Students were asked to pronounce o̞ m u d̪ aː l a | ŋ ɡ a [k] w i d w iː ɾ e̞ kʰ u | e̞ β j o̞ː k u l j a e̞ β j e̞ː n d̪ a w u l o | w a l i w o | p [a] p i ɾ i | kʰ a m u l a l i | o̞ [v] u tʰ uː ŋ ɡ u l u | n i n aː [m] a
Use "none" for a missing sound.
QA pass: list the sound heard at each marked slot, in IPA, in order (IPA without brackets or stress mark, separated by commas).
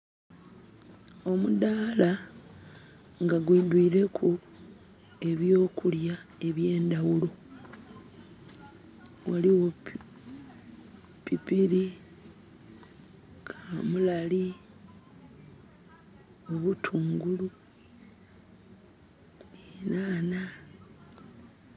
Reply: ɡ, i, β, n